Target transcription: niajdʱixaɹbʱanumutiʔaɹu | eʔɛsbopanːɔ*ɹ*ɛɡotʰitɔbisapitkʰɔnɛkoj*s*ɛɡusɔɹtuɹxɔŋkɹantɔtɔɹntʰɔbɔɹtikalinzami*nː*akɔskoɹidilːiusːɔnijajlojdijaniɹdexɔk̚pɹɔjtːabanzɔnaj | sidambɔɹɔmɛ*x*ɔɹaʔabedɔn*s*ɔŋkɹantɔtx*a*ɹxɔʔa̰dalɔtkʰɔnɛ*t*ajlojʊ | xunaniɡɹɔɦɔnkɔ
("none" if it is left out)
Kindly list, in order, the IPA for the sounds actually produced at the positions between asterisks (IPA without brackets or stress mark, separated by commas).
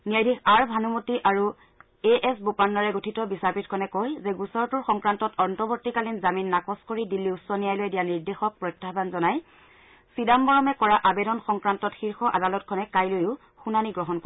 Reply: ɹ, z, nː, k, x, i, k